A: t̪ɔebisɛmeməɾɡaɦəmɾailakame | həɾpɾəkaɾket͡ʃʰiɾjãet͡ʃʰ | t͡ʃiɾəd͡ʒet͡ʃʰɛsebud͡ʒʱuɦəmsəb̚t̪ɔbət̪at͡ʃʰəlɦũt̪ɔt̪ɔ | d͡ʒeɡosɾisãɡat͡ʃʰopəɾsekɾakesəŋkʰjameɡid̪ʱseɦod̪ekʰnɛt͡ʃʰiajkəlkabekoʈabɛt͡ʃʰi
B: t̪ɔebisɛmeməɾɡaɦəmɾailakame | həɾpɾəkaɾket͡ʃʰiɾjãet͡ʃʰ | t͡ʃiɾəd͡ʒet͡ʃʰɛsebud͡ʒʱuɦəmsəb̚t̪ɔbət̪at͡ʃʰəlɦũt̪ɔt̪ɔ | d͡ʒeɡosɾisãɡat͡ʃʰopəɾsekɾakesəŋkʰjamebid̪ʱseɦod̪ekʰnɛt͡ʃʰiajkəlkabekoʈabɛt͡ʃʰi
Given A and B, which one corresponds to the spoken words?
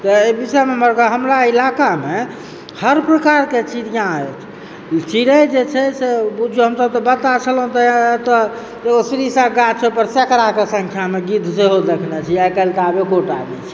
A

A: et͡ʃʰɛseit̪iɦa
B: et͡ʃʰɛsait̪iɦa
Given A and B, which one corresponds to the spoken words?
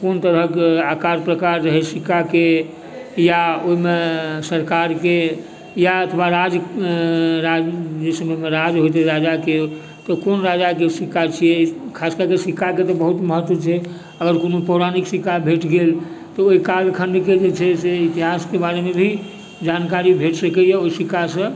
A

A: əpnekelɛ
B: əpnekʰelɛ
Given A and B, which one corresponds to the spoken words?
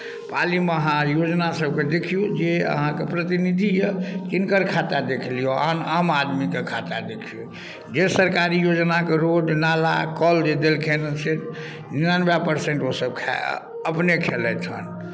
B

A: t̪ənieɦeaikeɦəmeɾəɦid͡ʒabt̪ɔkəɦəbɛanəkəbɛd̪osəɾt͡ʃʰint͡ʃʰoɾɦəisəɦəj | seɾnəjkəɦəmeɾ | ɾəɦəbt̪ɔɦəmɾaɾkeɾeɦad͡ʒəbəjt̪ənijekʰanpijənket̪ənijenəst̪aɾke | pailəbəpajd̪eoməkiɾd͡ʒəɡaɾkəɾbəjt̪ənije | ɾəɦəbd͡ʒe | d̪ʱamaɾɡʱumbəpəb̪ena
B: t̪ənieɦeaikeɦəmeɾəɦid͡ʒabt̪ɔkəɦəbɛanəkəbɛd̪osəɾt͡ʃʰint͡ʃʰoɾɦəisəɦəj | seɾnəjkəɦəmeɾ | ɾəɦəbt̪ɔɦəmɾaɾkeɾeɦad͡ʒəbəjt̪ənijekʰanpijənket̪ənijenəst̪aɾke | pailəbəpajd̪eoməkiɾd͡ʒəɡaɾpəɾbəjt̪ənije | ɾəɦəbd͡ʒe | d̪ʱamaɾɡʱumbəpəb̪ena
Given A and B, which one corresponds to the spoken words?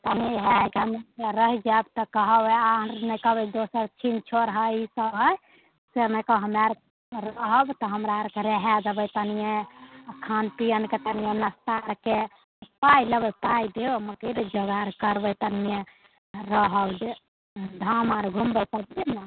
A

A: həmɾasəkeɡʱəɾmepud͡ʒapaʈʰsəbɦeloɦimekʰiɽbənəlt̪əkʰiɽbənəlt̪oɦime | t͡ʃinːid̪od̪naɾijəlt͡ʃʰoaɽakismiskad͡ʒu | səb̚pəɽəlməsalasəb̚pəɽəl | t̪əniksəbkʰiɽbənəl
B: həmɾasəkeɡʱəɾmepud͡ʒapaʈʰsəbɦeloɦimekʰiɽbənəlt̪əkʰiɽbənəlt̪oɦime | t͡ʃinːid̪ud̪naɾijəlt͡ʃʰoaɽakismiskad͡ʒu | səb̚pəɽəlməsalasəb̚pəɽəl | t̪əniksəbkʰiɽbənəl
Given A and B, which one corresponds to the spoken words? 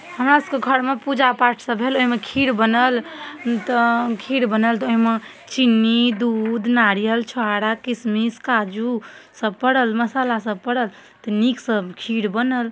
B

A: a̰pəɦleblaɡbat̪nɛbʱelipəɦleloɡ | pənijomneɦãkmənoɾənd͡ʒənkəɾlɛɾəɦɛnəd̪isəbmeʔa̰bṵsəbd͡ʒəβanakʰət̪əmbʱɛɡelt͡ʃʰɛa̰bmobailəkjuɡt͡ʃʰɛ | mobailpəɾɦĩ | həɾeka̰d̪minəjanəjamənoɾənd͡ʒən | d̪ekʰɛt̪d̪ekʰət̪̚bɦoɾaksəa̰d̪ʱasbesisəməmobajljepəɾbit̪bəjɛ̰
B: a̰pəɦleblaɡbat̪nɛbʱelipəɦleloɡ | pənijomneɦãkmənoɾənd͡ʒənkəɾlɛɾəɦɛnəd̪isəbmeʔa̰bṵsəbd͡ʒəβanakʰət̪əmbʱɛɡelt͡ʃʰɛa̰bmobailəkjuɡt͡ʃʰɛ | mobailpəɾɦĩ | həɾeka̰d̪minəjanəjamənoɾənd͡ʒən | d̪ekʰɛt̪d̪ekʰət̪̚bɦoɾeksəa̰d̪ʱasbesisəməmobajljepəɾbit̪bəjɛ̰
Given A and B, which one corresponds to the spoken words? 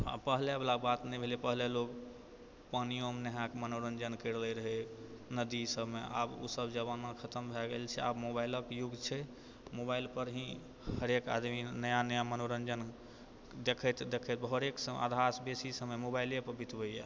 B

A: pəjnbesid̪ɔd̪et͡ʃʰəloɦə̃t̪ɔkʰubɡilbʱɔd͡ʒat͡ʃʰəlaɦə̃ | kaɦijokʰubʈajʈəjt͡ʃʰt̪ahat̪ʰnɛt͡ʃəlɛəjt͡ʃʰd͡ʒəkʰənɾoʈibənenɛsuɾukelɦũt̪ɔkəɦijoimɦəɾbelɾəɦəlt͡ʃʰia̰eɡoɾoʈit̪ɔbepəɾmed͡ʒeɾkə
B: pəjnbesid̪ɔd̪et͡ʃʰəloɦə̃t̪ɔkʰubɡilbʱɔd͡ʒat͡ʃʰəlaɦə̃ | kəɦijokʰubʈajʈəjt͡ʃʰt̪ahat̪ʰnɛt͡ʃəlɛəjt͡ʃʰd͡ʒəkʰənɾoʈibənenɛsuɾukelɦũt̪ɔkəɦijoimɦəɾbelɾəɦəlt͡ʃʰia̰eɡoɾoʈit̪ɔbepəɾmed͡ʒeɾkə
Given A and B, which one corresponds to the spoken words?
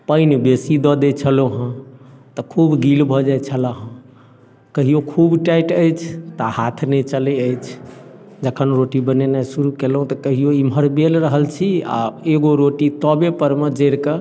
B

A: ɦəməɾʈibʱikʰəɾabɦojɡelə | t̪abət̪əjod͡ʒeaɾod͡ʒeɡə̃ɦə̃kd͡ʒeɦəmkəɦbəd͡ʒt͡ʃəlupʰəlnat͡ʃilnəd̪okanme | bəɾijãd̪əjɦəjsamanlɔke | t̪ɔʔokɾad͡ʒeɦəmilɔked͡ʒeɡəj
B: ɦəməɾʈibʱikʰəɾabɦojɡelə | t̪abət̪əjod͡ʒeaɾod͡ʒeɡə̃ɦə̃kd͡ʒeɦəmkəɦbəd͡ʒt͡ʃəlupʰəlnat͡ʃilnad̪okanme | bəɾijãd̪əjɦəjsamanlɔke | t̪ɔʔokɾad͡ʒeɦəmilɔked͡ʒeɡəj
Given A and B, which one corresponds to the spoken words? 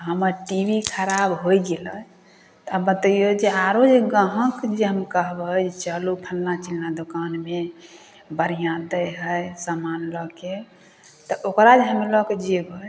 B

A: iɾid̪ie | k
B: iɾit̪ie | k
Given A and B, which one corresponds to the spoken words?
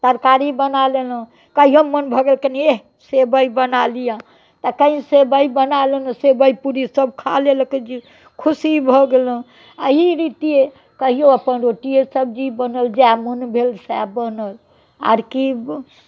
B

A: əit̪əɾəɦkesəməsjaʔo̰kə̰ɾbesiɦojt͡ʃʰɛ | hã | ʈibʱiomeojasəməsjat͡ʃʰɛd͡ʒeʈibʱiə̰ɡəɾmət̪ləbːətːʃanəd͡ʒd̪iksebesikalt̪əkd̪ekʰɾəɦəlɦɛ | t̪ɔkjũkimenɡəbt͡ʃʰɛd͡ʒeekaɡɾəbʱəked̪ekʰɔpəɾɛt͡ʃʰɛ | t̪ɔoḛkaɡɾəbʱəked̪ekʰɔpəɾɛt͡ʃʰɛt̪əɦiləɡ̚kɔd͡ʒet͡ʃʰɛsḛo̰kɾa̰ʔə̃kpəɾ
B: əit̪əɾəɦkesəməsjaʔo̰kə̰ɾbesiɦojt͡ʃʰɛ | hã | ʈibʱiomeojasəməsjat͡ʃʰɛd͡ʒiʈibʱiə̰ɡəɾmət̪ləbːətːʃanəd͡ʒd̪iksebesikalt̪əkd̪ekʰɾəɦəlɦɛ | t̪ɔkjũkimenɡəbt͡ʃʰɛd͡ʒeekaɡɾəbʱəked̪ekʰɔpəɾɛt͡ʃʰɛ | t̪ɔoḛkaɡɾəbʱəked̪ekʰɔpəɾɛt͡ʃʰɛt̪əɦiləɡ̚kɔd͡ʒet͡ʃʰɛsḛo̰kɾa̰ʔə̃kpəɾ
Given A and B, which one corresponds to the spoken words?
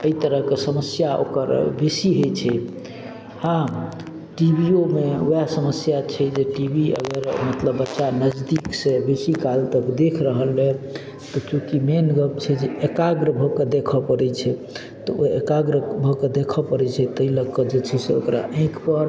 A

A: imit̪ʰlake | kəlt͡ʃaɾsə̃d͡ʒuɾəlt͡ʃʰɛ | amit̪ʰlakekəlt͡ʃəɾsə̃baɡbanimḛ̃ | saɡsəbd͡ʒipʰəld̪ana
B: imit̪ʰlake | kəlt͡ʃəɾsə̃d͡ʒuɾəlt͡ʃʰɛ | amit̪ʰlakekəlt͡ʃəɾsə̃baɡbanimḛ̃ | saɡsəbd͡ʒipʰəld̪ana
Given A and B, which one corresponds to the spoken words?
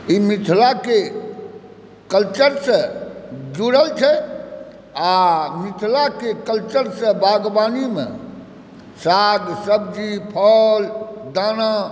B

